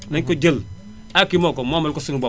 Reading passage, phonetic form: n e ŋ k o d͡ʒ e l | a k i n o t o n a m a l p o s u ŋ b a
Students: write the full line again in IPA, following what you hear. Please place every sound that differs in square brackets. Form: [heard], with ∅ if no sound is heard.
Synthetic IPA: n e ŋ k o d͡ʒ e l | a k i [m] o [k] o [m] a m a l [k] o s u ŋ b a